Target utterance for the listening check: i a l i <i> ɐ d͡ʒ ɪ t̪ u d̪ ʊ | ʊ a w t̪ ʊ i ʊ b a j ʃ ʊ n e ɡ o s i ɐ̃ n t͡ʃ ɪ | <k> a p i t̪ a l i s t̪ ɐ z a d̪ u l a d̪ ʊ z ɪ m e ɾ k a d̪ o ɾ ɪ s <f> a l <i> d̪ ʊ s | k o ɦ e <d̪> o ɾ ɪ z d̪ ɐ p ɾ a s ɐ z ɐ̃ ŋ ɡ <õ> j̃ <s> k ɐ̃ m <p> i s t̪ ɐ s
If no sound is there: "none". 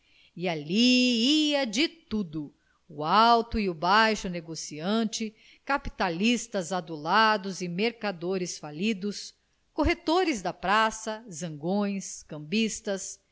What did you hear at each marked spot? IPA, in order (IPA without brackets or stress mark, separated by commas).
i, k, f, i, t̪, õ, s, b